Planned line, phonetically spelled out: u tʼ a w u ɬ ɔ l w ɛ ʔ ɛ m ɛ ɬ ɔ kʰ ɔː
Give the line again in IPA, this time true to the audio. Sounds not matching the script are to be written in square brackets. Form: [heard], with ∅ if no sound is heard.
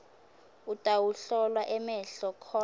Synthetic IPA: u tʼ a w u ɬ ɔ l w [a] ʔ ɛ m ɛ ɬ ɔ kʰ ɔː